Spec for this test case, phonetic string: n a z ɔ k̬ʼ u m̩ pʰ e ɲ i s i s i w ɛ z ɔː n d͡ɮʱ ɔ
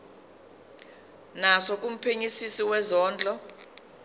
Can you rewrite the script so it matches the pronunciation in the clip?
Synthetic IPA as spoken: n a s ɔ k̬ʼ u m̩ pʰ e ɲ i s i s i w ɛ z ɔː n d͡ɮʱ ɔ